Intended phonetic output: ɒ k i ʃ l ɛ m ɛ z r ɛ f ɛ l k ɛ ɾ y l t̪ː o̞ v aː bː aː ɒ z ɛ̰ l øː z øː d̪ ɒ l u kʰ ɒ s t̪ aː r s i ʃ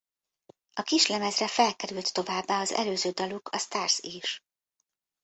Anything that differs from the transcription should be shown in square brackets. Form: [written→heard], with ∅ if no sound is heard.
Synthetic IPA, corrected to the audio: ɒ k i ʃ l ɛ m ɛ z r ɛ f ɛ l k ɛ ɾ y l t̪ː o̞ v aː bː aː ɒ z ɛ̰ l øː z øː d̪ ɒ l u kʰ ɒ s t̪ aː r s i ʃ